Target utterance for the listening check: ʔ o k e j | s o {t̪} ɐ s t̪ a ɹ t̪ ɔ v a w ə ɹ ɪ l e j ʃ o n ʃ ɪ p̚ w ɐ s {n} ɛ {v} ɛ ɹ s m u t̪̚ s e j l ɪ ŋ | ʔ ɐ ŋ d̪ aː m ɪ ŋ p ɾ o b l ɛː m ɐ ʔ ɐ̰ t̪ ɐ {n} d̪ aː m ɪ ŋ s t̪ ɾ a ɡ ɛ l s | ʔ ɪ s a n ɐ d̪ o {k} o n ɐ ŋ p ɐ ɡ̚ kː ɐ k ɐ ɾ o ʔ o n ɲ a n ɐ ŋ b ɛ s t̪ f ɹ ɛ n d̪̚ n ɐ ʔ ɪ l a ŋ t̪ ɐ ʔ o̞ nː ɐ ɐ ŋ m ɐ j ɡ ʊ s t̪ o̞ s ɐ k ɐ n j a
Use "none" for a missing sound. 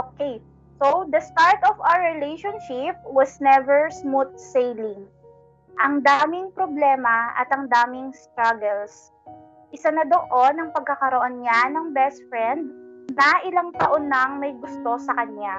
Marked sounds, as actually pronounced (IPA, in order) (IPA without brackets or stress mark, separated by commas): d̪, n, v, ŋ, ʔ